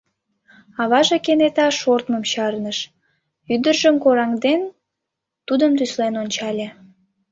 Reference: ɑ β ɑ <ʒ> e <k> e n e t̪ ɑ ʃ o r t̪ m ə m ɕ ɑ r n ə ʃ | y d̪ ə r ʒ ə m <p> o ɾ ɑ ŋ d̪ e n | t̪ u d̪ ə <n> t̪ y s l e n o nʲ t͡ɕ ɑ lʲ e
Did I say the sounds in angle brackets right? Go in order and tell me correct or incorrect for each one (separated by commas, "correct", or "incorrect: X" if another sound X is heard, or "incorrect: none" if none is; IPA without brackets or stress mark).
correct, correct, incorrect: k, incorrect: m